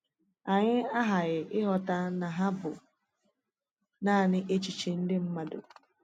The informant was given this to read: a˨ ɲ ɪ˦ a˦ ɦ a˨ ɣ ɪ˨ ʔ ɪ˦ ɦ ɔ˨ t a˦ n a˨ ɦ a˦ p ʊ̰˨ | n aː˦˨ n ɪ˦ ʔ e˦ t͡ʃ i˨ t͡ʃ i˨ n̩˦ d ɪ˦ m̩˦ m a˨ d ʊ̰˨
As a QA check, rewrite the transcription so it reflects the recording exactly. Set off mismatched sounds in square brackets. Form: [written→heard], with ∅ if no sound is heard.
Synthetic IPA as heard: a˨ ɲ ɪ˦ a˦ ɦ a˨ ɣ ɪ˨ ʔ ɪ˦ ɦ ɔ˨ t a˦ n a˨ ɦ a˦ [p→b] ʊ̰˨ | n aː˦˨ n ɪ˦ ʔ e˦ t͡ʃ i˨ t͡ʃ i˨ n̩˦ d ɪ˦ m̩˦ m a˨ d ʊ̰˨